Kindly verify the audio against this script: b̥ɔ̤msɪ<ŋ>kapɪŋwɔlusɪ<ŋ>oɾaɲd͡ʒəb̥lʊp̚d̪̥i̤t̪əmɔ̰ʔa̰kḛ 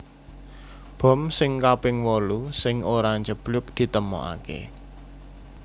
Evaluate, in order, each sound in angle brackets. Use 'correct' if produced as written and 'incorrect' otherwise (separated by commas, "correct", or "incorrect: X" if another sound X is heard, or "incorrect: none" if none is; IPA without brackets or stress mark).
correct, correct